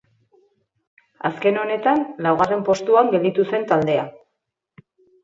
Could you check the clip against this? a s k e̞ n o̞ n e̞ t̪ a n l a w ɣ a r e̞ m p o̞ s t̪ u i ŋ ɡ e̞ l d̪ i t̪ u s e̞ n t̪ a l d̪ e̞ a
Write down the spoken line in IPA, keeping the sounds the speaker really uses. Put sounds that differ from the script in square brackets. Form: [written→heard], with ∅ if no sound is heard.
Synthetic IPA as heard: a s k e̞ n o̞ n e̞ t̪ a n l a w ɣ a r e̞ m p o̞ s t̪ u [i→a] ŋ ɡ e̞ l d̪ i t̪ u s e̞ n t̪ a l d̪ e̞ a

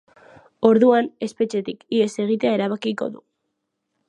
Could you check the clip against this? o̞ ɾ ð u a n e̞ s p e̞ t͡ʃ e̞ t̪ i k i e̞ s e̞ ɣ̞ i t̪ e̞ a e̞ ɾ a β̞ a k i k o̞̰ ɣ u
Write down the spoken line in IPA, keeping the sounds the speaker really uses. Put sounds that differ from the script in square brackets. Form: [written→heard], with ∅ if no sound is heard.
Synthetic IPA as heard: o̞ ɾ ð u a n e̞ s p e̞ t͡ʃ e̞ t̪ i k i e̞ s e̞ ɣ̞ i t̪ e̞ a e̞ ɾ a β̞ a k i k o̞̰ [ɣ→ð] u

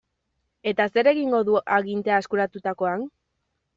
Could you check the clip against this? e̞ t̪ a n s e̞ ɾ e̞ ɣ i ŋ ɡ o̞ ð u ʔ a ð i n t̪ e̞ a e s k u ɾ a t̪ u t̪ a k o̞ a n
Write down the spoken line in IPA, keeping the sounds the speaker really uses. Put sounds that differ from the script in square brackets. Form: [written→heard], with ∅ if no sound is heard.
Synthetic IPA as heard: e̞ t̪ a [n→∅] s e̞ ɾ e̞ ɣ i ŋ ɡ o̞ ð u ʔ a [ð→ɣ] i n t̪ e̞ a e s k u ɾ a t̪ u t̪ a k o̞ a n

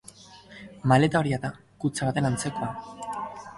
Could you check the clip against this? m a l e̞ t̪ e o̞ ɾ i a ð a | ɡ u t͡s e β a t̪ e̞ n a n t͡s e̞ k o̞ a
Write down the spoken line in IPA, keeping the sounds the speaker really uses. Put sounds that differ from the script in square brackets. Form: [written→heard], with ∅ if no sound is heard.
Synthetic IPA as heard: m a l e̞ t̪ [e→a] o̞ ɾ i a ð a | [ɡ→k] u t͡s [e→a] β a t̪ e̞ n a n t͡s e̞ k o̞ a

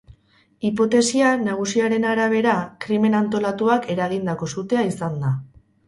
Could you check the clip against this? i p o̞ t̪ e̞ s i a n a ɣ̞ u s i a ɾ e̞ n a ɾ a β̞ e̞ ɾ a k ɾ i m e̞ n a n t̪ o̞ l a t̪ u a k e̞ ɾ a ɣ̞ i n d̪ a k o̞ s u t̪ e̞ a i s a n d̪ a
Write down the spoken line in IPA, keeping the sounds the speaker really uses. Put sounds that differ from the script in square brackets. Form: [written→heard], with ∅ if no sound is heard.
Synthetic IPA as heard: i p o̞ t̪ e̞ s i a n a ɣ̞ u s i a ɾ e̞ n a ɾ a β̞ e̞ ɾ a k ɾ i m e̞ n a n t̪ o̞ l a t̪ u a k e̞ ɾ a ɣ̞ i n d̪ a k o̞ s u t̪ e̞ a i s a n d̪ a

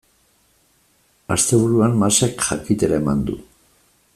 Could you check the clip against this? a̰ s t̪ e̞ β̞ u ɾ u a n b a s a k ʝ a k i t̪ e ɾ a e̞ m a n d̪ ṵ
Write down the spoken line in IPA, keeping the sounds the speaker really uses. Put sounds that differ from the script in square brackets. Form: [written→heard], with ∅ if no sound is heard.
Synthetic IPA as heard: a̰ s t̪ e̞ β̞ u ɾ u a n [b→m] a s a k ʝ a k i t̪ e ɾ a e̞ m a n d̪ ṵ

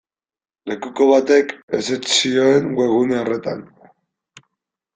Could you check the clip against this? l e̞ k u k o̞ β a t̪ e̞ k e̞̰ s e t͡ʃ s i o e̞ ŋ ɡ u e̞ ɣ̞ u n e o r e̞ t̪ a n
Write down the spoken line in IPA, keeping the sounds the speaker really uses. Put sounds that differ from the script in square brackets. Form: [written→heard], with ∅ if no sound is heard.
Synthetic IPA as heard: l e̞ k u k o̞ β a t̪ e̞ k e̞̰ s e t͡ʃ s i o e̞ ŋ ɡ [u→w] e̞ ɣ̞ u n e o r e̞ t̪ a n

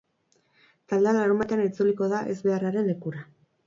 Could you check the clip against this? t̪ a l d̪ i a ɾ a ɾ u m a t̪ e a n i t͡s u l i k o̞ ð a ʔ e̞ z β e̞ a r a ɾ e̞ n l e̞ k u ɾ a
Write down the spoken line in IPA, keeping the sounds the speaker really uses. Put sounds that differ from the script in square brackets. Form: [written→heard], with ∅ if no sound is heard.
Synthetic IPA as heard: t̪ a l d̪ [i→e] a [ɾ→l] a ɾ u m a t̪ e a n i t͡s u l i k o̞ ð a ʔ e̞ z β e̞ a r a ɾ e̞ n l e̞ k u ɾ a

